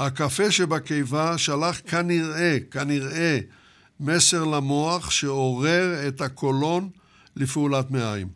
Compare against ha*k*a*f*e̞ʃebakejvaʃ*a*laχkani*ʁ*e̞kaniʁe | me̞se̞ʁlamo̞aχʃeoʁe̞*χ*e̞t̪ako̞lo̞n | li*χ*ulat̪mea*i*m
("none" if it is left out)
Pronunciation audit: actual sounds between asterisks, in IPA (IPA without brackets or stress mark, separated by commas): k, f, a, ʁ, ʁ, f, j